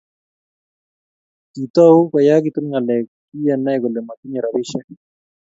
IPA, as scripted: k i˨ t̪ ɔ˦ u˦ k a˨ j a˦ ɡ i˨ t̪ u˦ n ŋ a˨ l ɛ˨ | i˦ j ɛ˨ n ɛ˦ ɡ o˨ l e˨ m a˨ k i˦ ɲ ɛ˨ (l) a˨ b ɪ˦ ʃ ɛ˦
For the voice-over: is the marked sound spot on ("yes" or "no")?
no